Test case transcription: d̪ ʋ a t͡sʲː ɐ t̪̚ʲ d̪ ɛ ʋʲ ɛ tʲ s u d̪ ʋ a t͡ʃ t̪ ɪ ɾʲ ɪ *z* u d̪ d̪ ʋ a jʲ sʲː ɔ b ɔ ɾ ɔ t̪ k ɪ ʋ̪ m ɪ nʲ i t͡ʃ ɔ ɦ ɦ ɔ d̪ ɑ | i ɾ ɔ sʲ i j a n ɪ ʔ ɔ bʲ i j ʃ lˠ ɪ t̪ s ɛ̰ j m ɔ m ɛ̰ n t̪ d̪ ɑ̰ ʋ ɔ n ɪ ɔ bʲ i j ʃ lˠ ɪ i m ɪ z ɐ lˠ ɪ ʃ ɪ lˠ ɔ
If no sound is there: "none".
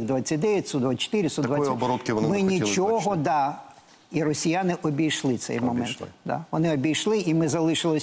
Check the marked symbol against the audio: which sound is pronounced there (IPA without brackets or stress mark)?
s